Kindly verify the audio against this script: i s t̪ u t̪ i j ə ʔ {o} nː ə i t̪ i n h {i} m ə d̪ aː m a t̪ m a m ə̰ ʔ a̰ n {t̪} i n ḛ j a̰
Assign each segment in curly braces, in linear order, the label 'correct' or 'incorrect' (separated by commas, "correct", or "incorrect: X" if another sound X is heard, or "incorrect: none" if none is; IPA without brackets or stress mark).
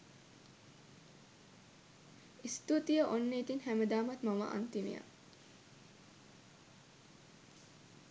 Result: correct, incorrect: æ, correct